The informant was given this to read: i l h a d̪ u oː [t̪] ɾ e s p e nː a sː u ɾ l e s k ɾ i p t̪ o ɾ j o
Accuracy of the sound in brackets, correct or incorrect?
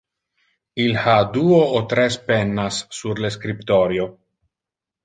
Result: correct